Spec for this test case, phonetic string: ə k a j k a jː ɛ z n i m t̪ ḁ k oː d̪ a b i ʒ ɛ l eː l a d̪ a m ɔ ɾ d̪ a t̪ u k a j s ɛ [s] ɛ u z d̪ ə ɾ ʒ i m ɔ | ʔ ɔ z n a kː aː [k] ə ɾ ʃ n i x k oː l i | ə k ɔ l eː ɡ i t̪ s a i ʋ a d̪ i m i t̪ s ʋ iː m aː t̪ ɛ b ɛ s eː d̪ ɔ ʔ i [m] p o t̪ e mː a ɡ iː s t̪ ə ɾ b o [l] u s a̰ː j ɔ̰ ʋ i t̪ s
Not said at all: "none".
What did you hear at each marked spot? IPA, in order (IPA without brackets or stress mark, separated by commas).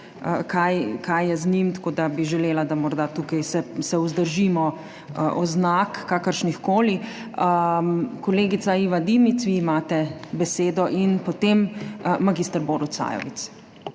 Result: s, k, n, ɾ